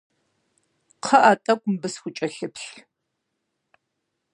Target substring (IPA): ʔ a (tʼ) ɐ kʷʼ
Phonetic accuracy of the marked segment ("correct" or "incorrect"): correct